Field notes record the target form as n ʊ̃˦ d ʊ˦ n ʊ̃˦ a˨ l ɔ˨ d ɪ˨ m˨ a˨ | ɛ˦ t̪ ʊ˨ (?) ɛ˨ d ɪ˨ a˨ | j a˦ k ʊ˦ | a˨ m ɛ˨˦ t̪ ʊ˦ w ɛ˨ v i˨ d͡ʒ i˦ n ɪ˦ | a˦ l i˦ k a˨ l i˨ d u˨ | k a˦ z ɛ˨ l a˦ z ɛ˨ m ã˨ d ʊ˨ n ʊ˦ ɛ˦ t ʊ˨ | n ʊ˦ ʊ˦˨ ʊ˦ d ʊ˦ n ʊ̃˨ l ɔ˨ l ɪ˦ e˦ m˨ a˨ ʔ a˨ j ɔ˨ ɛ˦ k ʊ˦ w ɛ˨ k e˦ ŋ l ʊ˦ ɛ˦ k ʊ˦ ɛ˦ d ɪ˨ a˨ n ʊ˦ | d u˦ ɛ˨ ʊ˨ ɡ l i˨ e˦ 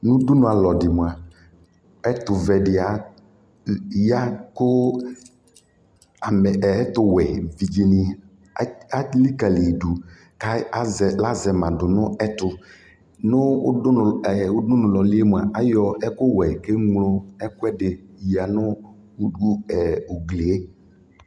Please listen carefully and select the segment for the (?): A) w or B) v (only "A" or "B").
B